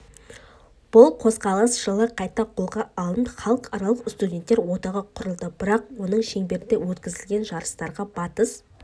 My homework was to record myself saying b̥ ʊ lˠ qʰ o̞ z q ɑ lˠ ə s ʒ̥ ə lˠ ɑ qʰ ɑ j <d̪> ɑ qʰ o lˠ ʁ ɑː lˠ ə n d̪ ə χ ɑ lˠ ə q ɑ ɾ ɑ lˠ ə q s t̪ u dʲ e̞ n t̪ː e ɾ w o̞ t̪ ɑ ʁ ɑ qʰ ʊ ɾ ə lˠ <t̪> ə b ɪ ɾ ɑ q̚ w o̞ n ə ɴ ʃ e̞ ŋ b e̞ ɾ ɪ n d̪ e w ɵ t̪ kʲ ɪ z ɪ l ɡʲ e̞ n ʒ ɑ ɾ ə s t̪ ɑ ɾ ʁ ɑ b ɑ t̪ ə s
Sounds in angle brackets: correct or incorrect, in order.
incorrect: t̪, incorrect: d̪

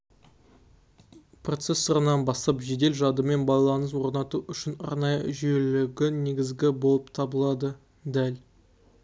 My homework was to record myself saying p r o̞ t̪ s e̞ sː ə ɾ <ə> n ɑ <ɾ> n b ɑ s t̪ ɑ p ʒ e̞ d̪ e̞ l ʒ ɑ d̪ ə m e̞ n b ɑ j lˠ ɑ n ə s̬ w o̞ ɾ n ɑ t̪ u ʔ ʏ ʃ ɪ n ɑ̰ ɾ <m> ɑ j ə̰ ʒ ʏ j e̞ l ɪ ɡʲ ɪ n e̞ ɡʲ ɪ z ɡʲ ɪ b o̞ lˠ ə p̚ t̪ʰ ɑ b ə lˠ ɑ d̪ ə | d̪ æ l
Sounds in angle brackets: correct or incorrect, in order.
correct, incorrect: none, incorrect: n

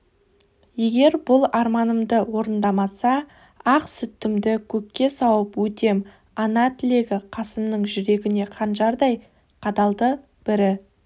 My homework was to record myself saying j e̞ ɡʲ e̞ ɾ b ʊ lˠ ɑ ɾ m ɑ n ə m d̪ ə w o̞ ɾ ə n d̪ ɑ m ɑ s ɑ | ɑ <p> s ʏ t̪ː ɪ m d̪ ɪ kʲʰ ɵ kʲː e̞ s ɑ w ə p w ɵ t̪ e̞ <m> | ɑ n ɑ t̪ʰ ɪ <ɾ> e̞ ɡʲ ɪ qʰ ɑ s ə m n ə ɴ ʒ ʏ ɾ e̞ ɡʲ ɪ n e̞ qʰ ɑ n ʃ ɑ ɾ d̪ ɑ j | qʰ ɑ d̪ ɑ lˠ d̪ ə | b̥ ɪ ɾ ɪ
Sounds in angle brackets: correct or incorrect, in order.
incorrect: q, correct, incorrect: l

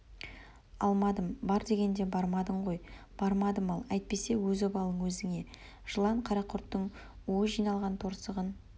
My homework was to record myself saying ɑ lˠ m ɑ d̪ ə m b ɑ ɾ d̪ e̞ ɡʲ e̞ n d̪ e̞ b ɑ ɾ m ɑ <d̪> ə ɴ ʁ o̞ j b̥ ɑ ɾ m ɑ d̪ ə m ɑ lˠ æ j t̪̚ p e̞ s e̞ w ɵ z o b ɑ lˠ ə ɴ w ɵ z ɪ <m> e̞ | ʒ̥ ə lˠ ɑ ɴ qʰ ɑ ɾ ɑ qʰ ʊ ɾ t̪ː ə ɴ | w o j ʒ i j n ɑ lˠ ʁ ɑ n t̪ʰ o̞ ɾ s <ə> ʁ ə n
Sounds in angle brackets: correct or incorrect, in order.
correct, incorrect: ŋ, correct

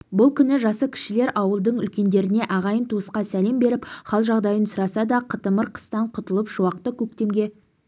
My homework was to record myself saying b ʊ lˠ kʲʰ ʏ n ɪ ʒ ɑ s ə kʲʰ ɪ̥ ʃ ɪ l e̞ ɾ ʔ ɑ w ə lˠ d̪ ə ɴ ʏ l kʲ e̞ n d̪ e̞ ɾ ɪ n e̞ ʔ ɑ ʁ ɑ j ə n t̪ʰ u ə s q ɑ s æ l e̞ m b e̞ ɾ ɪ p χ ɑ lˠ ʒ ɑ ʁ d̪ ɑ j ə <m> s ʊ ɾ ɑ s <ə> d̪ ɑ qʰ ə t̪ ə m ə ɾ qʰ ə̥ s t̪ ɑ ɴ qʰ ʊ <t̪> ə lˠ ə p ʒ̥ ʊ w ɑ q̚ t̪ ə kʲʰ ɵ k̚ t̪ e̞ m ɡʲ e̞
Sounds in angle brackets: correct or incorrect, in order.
incorrect: n, incorrect: ɑ, correct

